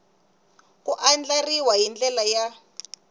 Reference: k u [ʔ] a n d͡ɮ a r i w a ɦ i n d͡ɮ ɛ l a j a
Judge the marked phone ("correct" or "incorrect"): correct